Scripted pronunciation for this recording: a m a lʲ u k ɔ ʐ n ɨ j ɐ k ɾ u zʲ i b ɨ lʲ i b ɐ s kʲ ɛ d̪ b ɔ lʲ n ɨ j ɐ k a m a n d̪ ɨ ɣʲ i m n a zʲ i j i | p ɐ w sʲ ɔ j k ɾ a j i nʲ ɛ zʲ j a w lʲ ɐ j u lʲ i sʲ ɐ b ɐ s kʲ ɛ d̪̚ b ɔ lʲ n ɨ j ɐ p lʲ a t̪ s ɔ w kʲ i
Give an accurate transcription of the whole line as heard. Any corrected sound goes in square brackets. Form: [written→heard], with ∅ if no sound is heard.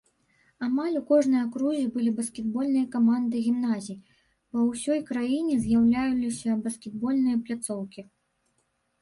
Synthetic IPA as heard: a m a lʲ u k ɔ ʐ n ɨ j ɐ k ɾ u zʲ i b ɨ lʲ i b ɐ s kʲ ɛ d̪ b ɔ lʲ n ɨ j ɐ k a m a n d̪ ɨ ɣʲ i m n a zʲ i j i | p ɐ w sʲ ɔ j k ɾ a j i nʲ ɛ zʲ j a w lʲ [ɐ→a] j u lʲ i sʲ ɐ b ɐ s kʲ ɛ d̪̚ b ɔ lʲ n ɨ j ɐ p lʲ a t̪ s ɔ w kʲ i